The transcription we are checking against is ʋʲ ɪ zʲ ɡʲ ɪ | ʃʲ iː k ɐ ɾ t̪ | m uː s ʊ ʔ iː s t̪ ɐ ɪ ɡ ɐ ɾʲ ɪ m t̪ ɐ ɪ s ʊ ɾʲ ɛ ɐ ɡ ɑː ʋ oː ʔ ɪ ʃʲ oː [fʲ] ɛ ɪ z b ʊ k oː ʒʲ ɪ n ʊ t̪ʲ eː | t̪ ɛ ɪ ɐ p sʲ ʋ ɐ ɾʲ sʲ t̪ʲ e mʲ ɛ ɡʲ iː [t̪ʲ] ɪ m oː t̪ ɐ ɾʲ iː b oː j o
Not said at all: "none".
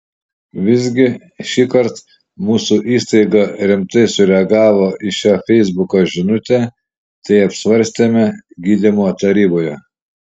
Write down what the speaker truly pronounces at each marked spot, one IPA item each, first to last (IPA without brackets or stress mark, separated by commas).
fʲ, d̪ʲ